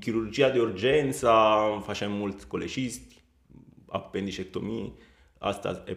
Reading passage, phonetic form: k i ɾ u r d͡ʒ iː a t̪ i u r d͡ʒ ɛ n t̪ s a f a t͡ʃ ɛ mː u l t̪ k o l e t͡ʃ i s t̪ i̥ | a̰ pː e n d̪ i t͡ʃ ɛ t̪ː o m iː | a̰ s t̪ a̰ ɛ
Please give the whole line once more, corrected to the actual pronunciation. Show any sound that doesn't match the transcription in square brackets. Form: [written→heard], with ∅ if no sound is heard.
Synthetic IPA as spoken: k i ɾ u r d͡ʒ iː a [t̪→d̪] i u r d͡ʒ ɛ n t̪ s a f a t͡ʃ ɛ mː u l t̪ k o l e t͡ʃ i s t̪ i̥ | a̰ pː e n d̪ i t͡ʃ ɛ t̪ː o m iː | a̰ s t̪ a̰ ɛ